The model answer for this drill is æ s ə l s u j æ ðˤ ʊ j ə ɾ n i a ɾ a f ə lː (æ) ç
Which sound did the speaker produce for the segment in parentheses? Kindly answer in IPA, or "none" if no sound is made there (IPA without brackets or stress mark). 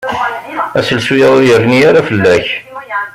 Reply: æ